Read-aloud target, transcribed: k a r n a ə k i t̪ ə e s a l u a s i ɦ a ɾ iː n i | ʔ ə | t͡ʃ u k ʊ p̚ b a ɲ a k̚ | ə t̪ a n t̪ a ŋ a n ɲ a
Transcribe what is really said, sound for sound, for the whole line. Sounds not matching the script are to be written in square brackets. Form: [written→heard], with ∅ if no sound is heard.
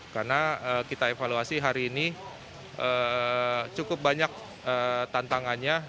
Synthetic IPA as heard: k a r n a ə k i t̪ [ə→a] e [s→f] a l u a s i ɦ a ɾ iː n i | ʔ ə | t͡ʃ u k ʊ p̚ b a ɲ a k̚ | ə t̪ a n t̪ a ŋ a n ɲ a

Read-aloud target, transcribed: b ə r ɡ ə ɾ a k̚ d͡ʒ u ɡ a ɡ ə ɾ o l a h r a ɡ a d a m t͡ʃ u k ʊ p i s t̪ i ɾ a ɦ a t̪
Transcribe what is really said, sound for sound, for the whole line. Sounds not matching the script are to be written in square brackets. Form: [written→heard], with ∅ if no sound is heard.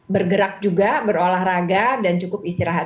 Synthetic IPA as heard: b ə r ɡ ə ɾ a k̚ d͡ʒ u ɡ a [ɡ→b] ə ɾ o l a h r a ɡ a d a [m→n] t͡ʃ u k ʊ p i s t̪ i ɾ a ɦ a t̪

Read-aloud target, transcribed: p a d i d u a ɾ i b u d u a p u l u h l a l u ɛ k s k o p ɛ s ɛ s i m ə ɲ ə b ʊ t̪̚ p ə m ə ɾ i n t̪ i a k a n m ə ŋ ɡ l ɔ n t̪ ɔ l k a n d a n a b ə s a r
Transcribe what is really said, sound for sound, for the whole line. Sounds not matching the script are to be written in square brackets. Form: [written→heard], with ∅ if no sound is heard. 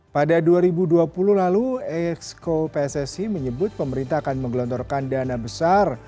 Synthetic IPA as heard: p a d [i→a] d u a ɾ i b u d u a p u l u h l a l u ɛ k s k o p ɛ s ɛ s i m ə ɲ ə b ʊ t̪̚ p ə m ə ɾ i n t̪ [i→a] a k a n m ə ŋ ɡ l ɔ n t̪ ɔ [l→r] k a n d a n a b ə s a r

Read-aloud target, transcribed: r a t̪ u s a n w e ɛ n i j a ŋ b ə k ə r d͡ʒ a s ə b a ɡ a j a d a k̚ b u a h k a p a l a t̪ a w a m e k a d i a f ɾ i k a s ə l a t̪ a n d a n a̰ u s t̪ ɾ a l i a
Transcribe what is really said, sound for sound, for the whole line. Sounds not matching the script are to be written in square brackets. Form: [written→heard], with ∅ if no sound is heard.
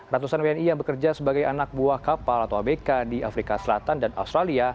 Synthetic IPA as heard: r a t̪ u s a n w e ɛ n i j a ŋ b ə k ə r d͡ʒ a s ə b a ɡ a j a [d→n] a k̚ b u a h k a p a l a t̪ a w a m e k a d i a f ɾ i k a s ə l a t̪ a n d a n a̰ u s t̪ ɾ a l i a

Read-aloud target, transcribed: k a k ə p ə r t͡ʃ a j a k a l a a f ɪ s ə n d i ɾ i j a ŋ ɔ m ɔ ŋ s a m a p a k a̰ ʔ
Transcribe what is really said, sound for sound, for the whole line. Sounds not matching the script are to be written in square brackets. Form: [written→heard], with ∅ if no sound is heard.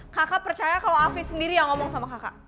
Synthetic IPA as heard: k a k [ə→a] p ə r t͡ʃ a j a k a l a a f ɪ s ə n d i ɾ i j a ŋ ɔ m ɔ ŋ s a m a [p→k] a k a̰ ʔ

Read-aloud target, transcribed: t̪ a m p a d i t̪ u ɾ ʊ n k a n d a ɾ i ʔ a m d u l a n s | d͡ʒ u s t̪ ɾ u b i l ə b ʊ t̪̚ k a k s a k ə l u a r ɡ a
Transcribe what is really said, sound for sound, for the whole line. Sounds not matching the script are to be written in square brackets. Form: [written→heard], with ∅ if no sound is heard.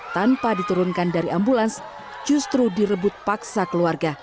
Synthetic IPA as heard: t̪ a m p a d i t̪ u ɾ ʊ n k a n d a ɾ i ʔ a m [d→b] u l a n s | d͡ʒ u s t̪ ɾ u [b→d] i [l→ɾ] ə b ʊ t̪̚ [k→p] a k s a k ə l u a r ɡ a

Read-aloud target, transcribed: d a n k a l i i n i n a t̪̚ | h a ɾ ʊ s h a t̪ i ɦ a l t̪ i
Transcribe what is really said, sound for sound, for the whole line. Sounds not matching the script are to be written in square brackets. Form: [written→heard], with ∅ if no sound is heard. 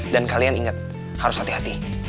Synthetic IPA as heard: d a n k a l i [i→a] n i [n→ŋ] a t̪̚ | h a ɾ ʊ s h a t̪ i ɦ a [l→∅] t̪ i

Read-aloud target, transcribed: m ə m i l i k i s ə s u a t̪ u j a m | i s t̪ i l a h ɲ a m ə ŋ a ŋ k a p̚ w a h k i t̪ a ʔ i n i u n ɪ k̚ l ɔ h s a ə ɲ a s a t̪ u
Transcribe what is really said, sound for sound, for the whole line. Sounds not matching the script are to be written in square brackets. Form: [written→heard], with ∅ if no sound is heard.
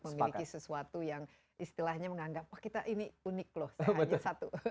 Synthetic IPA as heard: m ə m i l i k i s ə s u a t̪ u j a [m→ŋ] | i s t̪ i l a h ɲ a m ə ŋ a ŋ [k→ɡ] a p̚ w a h k i t̪ a ʔ i n i u n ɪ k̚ l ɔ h s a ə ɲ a s a t̪ u

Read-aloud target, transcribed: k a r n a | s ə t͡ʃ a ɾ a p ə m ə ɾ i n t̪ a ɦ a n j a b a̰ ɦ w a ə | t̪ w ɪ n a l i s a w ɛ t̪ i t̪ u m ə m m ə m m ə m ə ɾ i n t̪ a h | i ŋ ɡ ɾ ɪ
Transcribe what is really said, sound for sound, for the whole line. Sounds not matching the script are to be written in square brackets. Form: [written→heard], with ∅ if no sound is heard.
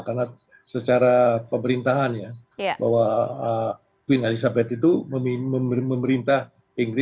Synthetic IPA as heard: k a r n a | s ə t͡ʃ a ɾ a p ə m ə ɾ i n t̪ a ɦ a n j a b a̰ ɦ w a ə | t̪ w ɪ n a l i s a [w→b] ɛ t̪ i t̪ u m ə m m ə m m ə m ə ɾ i n t̪ a h | i ŋ ɡ ɾ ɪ

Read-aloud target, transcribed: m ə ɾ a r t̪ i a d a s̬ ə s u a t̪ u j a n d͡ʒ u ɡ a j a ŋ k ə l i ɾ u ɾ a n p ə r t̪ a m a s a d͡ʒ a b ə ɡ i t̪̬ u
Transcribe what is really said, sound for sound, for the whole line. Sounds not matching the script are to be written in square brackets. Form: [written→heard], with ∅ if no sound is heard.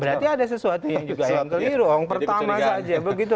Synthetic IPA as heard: [m→b] ə ɾ a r t̪ i a d a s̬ ə s u a t̪ u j a [n→ŋ] d͡ʒ u ɡ a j a ŋ k ə l i ɾ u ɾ a [n→ŋ] p ə r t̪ a m a s a d͡ʒ a b ə ɡ i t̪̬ u

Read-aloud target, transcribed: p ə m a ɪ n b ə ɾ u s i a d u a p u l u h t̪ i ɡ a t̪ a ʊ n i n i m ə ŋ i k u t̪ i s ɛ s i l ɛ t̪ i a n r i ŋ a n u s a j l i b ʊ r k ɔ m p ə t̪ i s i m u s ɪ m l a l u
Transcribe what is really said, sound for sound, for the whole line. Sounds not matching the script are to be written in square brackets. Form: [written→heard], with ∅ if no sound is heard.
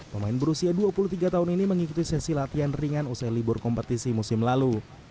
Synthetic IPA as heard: p ə m a ɪ n b ə ɾ u s i a d u a p u l u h t̪ i ɡ a t̪ a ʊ n i n i m ə ŋ i k u t̪ i s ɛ s i l [ɛ→a] t̪ i a n r i ŋ a n u s a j l i b ʊ r k ɔ m p ə t̪ i s i m u s ɪ m l a l u

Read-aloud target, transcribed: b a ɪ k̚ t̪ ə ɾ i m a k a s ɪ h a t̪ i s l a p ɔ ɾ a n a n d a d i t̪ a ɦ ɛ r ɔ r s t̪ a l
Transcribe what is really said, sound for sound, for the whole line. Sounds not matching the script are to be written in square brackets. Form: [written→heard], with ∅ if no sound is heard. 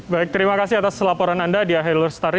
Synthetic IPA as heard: b a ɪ k̚ t̪ ə ɾ i m a k a s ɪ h a t̪ [i→a] s l a p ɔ ɾ a n a n d a d i [t̪→∅] a ɦ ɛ [r→l] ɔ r s t̪ a [l→ɾ]

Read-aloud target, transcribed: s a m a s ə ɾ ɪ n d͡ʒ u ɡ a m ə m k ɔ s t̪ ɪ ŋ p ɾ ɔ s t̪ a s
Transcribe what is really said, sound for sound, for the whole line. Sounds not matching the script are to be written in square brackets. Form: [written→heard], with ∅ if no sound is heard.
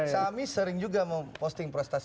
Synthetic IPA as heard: s a m [a→i] s ə ɾ ɪ [n→ŋ] d͡ʒ u ɡ a m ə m [k→p] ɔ s t̪ ɪ ŋ p ɾ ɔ s t̪ a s

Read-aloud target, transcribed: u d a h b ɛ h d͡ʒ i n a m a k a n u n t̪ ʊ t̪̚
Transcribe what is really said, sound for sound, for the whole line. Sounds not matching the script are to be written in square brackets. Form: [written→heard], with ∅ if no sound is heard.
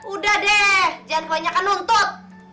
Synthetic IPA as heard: u d a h [b→d] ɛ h d͡ʒ [i→a] n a [m→ɲ] a k a n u n t̪ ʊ t̪̚

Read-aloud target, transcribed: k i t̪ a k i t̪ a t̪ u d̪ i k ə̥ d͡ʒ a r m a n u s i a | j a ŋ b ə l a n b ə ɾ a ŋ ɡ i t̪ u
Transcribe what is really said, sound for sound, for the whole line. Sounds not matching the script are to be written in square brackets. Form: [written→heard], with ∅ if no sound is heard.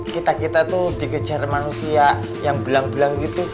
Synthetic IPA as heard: k i t̪ a k i t̪ a t̪ u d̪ i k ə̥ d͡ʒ a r m a n u s i a | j a ŋ b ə l a [n→ŋ] b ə [ɾ→l] a ŋ ɡ i t̪ u

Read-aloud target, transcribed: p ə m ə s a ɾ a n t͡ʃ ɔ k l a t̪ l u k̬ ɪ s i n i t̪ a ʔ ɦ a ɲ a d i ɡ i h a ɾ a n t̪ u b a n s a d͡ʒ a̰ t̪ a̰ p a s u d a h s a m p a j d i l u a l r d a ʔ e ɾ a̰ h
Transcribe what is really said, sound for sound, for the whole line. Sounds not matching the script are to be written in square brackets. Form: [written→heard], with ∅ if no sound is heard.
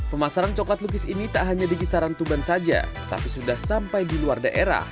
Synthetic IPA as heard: p ə m [ə→a] s a ɾ a n t͡ʃ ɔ k l a t̪ l u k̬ ɪ s i n i t̪ a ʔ ɦ a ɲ a d i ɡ i [h→s] a ɾ a n t̪ u b a n s a d͡ʒ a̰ t̪ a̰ p [a→i] s u d a h s a m p a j d i l u a [l→∅] r d a ʔ e ɾ a̰ h

